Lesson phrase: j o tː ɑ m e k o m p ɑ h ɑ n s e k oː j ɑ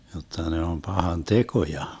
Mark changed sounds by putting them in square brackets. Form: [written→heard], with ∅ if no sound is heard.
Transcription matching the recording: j o tː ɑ [m→n] e [k→∅] o m p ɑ h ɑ n [s→t] e k [oː→o] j ɑ